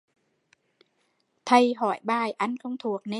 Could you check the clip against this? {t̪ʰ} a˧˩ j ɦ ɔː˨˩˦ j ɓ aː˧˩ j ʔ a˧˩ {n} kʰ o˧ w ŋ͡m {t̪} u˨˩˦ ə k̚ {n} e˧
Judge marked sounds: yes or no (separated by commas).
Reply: yes, yes, no, yes